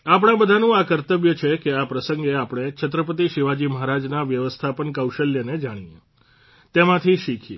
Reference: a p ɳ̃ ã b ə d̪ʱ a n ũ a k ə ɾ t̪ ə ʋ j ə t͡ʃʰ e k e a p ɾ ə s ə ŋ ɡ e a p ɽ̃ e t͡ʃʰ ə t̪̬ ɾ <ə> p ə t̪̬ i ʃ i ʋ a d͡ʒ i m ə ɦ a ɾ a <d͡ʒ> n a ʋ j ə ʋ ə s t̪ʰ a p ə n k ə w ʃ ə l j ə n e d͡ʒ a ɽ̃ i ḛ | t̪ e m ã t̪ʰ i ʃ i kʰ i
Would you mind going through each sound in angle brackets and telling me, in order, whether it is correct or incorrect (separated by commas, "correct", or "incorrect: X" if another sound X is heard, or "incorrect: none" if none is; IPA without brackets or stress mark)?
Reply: correct, correct